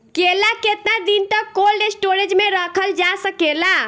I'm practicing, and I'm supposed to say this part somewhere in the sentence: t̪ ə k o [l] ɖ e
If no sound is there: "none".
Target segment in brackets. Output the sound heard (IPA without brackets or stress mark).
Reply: l